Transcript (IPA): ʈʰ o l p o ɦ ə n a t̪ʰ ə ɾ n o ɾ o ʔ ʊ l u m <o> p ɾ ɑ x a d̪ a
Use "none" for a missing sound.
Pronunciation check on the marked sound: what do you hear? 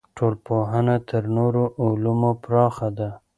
o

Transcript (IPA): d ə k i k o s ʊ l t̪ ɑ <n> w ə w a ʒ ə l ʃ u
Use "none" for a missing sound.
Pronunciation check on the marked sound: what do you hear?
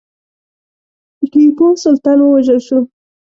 n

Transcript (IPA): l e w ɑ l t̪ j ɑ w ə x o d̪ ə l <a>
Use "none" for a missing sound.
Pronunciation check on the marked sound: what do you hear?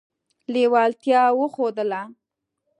a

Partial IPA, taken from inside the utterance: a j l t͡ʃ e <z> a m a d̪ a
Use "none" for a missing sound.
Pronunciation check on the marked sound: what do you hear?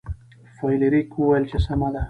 s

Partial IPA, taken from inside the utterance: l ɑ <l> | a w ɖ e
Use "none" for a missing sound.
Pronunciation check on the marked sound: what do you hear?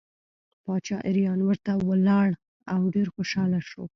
ɽ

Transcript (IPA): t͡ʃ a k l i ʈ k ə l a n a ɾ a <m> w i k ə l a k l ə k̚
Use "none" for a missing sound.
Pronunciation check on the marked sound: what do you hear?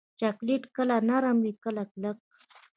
m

